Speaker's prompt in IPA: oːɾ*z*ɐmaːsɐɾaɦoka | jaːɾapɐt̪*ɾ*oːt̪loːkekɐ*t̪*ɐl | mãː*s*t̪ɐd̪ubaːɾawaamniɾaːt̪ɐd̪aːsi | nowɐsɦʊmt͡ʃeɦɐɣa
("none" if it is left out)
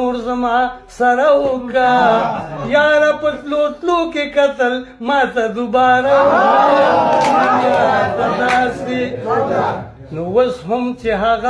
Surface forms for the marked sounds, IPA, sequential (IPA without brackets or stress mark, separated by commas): z, l, t̪, none